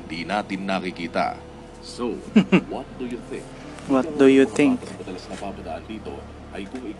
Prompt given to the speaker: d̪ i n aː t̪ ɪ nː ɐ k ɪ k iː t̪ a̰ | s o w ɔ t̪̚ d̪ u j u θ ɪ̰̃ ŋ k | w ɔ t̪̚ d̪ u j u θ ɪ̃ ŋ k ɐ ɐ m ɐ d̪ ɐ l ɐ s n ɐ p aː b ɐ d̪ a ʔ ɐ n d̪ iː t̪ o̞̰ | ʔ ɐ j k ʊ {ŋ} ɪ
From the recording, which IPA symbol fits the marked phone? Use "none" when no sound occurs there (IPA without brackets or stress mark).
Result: ŋ